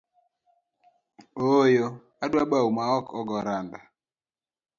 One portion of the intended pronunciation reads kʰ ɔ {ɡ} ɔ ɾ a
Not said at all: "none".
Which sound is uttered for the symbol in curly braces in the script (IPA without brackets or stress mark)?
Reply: ɡ